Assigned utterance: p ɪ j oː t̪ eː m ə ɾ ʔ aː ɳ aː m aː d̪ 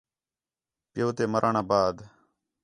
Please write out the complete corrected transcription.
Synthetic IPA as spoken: p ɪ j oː t̪ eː m ə ɾ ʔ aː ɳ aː b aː d̪